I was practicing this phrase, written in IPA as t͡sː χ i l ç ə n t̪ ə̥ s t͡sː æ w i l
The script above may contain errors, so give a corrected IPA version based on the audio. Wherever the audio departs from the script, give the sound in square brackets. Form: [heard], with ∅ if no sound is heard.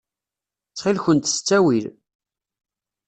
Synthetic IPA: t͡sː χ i l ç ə n t̪ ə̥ s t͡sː æ w i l

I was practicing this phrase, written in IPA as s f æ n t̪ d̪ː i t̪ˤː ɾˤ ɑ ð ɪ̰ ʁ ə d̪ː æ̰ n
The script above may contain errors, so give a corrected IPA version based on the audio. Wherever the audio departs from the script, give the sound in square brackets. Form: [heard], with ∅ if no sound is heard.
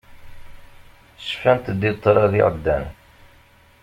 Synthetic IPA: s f æ n t̪ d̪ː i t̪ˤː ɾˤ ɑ ð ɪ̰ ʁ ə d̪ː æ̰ n

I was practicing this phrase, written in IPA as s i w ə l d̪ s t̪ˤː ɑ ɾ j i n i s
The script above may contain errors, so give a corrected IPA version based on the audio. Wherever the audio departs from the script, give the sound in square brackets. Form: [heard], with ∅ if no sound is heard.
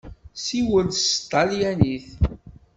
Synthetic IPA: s i w ə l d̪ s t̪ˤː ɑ [l] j [æ] n i [θ]

